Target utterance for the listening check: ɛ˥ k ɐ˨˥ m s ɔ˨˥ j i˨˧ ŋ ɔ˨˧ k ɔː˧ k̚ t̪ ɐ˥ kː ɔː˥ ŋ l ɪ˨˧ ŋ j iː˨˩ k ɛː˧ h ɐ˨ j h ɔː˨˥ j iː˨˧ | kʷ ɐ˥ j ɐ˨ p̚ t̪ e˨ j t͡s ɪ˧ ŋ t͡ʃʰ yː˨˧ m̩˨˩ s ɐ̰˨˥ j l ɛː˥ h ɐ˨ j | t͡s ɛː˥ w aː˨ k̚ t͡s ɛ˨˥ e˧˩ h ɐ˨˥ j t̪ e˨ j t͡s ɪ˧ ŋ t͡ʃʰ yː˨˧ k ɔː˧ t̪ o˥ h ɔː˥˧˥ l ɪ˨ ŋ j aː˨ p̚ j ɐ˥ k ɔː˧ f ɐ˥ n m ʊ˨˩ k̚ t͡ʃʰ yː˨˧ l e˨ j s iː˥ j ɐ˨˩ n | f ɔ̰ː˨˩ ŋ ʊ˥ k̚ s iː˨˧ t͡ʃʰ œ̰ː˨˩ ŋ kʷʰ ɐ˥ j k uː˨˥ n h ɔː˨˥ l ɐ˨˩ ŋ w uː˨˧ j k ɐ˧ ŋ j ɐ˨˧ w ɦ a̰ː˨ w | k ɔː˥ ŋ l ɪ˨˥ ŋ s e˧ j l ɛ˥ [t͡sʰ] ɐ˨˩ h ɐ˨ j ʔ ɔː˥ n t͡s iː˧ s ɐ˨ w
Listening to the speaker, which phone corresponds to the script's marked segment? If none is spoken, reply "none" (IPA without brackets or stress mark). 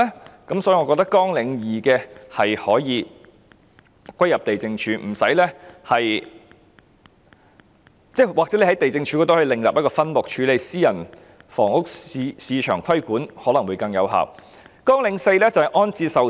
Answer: t͡s